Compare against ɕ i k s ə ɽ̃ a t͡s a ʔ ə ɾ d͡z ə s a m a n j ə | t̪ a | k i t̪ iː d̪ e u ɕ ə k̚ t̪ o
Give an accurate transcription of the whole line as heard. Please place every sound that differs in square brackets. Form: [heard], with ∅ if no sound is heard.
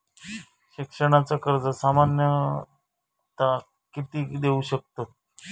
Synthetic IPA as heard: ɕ i k [ʂ] ə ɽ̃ a t͡s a [k] ə ɾ d͡z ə s a m a n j ə | t̪ a | k i t̪ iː d̪ e u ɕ ə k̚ t̪ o